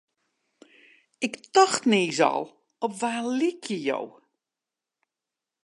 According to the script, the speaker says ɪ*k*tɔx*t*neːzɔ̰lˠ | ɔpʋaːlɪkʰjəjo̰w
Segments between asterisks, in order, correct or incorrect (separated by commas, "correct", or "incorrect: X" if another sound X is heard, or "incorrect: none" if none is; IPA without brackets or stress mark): correct, correct